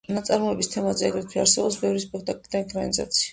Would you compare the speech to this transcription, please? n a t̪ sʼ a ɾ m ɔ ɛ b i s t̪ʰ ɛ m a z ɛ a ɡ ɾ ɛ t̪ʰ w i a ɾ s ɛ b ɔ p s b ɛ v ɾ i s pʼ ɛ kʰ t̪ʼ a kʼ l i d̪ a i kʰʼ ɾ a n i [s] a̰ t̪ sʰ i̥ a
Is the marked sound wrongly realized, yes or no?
yes